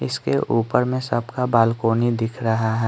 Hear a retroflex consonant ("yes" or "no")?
no